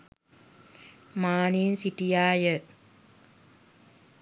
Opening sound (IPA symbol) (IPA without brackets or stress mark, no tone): m